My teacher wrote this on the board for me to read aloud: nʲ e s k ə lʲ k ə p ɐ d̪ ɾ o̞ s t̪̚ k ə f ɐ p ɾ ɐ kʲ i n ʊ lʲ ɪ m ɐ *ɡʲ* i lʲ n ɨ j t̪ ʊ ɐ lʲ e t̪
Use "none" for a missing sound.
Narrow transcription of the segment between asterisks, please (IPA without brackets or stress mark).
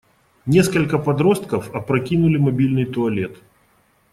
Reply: bʲ